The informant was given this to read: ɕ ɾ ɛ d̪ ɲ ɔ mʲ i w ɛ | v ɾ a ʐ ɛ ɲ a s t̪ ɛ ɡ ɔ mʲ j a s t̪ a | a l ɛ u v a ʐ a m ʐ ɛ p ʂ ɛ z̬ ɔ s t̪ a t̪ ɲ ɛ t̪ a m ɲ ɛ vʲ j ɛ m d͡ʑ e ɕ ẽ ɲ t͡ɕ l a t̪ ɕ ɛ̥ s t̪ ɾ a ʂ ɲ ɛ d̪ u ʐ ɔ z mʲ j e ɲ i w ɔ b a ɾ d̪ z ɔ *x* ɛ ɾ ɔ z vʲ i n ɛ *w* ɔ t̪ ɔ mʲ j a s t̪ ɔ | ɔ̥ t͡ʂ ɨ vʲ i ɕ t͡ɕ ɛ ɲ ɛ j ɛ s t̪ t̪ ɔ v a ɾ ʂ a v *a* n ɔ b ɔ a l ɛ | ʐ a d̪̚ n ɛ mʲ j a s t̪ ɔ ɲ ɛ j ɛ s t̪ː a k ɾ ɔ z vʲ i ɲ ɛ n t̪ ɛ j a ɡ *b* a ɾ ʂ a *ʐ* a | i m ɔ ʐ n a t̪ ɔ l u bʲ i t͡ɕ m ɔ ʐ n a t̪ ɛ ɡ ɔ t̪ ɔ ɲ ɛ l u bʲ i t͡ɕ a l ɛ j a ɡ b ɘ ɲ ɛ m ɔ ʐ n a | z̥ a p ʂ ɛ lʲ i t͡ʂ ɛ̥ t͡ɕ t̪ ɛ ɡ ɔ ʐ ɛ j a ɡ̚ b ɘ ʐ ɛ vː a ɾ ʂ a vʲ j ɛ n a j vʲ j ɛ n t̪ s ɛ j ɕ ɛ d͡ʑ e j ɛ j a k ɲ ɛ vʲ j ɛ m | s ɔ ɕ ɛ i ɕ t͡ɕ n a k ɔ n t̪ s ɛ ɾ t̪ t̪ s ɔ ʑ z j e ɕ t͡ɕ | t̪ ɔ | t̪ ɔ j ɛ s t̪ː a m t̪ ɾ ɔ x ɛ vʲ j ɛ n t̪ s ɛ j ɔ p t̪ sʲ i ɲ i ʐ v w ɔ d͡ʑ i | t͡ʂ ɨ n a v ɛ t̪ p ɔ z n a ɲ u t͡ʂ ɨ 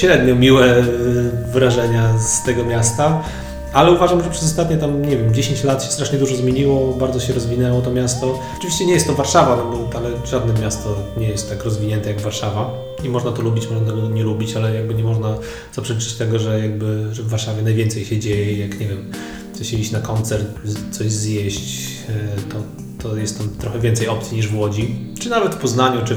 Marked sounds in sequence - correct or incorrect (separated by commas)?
incorrect, correct, correct, incorrect, incorrect